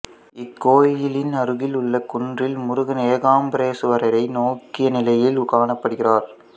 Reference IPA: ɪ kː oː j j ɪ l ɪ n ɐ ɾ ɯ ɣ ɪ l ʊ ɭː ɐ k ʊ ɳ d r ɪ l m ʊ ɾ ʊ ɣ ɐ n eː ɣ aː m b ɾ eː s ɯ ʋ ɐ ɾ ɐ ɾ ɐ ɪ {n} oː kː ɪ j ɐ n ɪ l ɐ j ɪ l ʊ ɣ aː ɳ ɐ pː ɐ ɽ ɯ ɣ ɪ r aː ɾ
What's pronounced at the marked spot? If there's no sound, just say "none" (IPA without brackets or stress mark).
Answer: n